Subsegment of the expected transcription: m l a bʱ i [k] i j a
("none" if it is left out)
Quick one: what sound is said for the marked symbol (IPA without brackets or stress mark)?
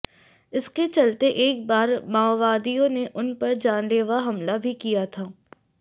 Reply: k